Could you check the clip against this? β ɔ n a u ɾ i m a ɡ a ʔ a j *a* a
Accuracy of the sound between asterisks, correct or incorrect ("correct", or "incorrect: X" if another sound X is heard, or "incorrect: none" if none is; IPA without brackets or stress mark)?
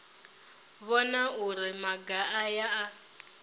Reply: correct